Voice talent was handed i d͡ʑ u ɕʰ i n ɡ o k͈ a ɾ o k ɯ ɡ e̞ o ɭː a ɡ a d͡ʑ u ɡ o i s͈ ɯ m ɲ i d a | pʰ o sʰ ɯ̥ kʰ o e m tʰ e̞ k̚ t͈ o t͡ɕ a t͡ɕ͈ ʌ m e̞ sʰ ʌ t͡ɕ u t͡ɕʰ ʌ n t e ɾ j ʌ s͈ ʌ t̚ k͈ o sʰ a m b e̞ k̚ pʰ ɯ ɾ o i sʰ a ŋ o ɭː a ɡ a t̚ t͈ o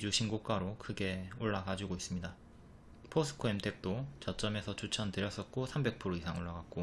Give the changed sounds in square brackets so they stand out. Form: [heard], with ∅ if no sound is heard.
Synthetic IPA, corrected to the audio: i d͡ʑ u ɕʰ i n ɡ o k͈ a ɾ o k ɯ ɡ e̞ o ɭː a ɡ a d͡ʑ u ɡ o i s͈ ɯ m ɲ i d a | pʰ o sʰ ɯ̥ kʰ o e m tʰ e̞ k̚ t͈ o t͡ɕ [ʌ] t͡ɕ͈ ʌ m e̞ sʰ ʌ t͡ɕ u t͡ɕʰ ʌ n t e ɾ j ʌ s͈ ʌ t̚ k͈ o sʰ a m b e̞ k̚ pʰ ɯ ɾ o i sʰ a ŋ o ɭː a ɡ a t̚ [k͈] o